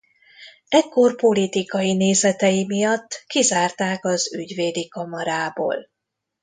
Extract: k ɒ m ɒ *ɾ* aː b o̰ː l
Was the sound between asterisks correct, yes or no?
yes